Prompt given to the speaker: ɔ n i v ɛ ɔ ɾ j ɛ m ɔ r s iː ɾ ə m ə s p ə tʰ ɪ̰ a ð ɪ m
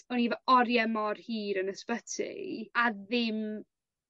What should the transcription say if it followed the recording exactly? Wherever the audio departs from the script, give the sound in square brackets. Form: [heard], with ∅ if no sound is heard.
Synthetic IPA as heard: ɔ n i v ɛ ɔ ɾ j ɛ m ɔ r [h] iː ɾ ə [n] ə s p ə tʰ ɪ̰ a ð ɪ m